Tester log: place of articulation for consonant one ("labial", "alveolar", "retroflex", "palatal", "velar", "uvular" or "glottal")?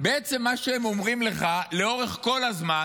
labial